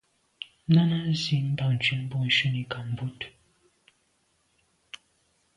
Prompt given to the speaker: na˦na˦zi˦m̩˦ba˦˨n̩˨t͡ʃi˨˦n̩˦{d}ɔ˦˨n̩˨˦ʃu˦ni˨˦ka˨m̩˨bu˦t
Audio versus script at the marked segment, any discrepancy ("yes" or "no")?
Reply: yes